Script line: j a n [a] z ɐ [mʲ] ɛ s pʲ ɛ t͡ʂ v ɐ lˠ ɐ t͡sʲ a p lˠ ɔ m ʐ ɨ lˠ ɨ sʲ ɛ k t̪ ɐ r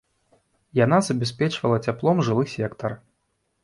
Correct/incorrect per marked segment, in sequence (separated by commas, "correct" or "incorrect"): correct, incorrect